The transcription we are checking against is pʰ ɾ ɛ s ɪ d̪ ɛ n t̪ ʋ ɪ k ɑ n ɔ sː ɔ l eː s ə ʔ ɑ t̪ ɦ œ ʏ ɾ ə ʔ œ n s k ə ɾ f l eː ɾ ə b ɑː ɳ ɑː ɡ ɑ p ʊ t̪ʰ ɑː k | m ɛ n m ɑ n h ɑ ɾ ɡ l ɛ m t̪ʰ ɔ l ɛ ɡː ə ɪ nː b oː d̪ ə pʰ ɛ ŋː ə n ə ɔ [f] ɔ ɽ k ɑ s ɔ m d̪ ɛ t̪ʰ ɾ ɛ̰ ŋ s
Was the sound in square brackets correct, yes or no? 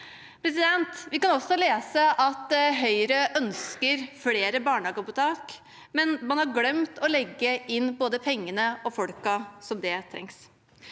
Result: yes